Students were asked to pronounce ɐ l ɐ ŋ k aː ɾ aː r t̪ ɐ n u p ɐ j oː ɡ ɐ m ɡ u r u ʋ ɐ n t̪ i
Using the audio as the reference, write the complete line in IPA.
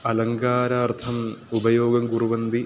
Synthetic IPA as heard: ɐ l ɐ ŋ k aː ɾ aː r t̪ʰ ɐ m u b ɐ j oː ɡ ɐ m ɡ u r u ʋ ɐ n d̪ i